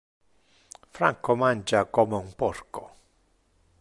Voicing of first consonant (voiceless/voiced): voiceless